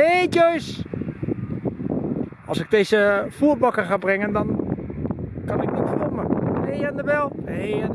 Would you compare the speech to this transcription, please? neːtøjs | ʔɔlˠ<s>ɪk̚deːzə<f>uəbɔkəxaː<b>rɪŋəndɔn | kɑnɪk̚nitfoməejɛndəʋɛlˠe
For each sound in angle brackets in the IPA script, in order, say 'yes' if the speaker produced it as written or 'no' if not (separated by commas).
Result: yes, yes, yes